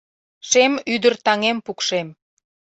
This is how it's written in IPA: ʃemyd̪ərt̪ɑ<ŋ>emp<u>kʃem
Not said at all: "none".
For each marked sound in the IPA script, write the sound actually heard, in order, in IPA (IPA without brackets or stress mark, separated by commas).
ŋ, u